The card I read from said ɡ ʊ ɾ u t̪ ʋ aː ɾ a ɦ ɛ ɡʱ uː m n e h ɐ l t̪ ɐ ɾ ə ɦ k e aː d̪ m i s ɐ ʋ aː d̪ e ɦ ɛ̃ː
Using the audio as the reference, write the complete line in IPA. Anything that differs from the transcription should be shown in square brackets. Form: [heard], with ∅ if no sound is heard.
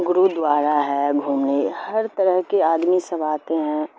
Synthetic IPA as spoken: ɡ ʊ ɾ u [d̪] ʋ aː ɾ a ɦ ɛ ɡʱ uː m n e h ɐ [ɾ] t̪ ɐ ɾ ə ɦ k e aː d̪ m i s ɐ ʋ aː [t̪] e ɦ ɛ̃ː